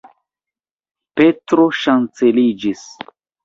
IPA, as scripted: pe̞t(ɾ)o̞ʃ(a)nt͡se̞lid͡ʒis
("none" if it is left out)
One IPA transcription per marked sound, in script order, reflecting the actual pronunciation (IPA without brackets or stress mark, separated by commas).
ɾ, a